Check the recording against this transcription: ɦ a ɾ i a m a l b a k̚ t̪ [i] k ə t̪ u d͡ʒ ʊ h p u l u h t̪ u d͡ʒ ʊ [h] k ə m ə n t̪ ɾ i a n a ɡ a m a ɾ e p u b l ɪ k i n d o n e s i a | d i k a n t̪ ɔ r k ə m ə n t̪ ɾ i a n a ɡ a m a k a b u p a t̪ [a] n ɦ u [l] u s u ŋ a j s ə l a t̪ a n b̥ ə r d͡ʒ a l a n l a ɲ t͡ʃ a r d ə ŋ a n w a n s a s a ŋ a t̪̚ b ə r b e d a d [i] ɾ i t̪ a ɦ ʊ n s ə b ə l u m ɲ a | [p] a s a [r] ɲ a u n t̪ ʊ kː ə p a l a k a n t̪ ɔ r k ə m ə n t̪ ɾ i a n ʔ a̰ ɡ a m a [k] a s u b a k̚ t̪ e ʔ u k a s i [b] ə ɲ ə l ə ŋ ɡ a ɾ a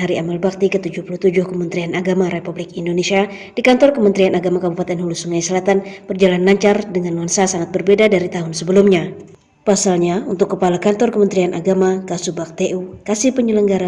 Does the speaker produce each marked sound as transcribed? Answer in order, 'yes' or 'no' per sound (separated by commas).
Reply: yes, yes, no, yes, no, yes, no, yes, no